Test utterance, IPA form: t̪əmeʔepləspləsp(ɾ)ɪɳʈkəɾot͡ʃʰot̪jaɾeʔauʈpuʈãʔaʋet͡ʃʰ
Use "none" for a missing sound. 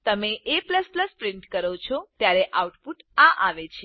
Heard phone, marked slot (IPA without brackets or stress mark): ɾ